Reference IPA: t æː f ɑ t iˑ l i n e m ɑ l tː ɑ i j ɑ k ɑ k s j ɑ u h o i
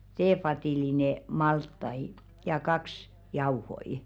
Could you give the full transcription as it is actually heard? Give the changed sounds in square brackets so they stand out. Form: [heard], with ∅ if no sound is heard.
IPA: t [eː] f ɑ t iˑ l i n e m ɑ l tː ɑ i j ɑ k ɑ k s j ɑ u h o i